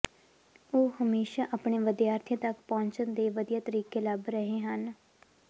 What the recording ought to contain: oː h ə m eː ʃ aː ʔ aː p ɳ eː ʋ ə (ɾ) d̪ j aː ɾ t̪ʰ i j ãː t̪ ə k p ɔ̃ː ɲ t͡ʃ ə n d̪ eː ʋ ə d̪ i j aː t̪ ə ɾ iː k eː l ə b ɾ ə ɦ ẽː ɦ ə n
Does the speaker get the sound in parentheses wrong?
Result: yes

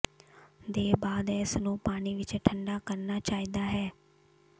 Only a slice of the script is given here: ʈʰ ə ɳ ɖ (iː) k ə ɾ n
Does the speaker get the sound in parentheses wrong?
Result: yes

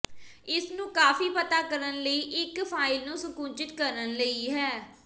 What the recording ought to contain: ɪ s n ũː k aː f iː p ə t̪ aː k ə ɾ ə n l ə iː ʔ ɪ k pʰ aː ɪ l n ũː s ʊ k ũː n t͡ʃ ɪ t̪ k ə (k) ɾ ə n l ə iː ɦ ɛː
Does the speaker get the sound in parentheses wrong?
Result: yes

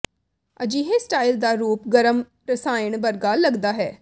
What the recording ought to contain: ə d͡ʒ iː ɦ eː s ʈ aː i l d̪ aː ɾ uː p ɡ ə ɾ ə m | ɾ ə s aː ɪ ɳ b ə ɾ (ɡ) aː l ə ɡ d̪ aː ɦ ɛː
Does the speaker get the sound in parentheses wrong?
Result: no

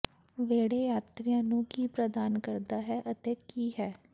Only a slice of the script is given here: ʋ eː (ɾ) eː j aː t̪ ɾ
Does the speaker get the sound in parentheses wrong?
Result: yes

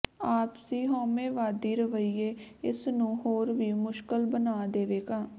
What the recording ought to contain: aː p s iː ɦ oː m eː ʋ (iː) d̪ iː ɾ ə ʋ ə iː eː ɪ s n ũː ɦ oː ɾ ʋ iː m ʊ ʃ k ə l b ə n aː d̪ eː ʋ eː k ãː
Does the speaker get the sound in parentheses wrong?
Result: yes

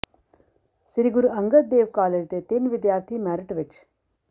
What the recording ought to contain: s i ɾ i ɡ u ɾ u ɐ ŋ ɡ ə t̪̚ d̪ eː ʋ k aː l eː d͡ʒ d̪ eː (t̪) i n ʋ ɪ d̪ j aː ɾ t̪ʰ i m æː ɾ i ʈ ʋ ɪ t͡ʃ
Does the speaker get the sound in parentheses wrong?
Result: no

